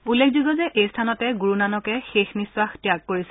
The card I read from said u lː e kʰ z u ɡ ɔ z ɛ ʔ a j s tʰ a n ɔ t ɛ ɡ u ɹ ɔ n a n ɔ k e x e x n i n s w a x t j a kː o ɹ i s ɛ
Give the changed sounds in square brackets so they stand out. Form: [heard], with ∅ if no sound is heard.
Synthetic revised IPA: u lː e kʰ z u ɡ ɔ z ɛ ʔ [e] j s tʰ a n ɔ t ɛ ɡ u ɹ [u] n a n ɔ k [ɛ] x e x n i [∅] s w a x t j a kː o ɹ i s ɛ